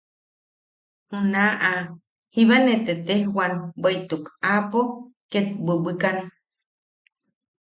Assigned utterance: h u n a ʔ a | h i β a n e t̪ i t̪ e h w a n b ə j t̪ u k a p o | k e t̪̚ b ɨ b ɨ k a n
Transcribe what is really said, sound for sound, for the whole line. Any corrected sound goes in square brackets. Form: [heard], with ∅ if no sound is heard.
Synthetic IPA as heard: h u n a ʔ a | h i β a n e t̪ [e] t̪ e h w a n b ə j t̪ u k a p o | k e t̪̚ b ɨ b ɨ k a n